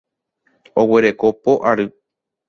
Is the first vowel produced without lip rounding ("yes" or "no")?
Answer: no